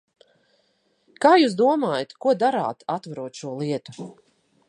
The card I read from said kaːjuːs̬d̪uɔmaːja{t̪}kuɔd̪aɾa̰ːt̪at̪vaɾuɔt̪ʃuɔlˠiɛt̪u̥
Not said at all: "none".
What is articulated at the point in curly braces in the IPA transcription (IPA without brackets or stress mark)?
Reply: t̪